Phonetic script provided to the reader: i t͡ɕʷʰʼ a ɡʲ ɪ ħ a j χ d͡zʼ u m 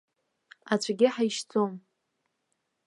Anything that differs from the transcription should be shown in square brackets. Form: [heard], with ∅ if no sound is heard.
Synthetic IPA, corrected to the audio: [a] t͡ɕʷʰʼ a ɡʲ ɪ ħ a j [ʃ] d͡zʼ [o] m